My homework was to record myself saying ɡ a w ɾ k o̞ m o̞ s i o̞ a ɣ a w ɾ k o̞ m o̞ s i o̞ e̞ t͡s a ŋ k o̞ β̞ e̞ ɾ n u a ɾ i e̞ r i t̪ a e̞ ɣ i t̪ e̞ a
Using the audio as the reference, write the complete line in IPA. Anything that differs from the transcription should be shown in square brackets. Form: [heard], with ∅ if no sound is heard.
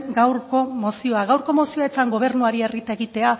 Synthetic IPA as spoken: ɡ a w ɾ k o̞ m o̞ s i o̞ a ɣ a w ɾ k o̞ m o̞ s i o̞ e̞ t͡s a ŋ [ɡ] o̞ β̞ e̞ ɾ n u a ɾ i e̞ r i t̪ a e̞ ɣ i t̪ e̞ a